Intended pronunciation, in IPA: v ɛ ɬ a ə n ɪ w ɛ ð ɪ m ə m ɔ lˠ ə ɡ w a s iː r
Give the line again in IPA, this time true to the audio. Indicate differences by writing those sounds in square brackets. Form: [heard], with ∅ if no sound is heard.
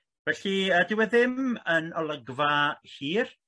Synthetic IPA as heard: v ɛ ɬ [i] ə [d] ɪ w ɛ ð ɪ m ə [n] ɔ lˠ ə ɡ [v] a [h] iː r